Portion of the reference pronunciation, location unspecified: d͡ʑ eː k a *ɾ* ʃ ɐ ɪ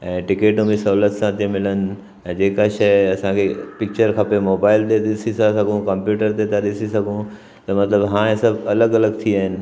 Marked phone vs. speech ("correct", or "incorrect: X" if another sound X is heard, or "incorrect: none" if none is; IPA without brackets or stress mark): incorrect: none